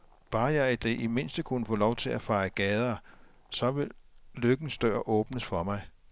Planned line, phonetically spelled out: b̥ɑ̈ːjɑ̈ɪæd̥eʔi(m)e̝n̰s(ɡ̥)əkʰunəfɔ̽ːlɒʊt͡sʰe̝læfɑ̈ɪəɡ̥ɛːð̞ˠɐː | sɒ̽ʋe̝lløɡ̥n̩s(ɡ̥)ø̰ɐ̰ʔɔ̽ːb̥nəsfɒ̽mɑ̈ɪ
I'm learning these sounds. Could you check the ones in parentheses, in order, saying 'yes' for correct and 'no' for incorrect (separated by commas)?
yes, no, no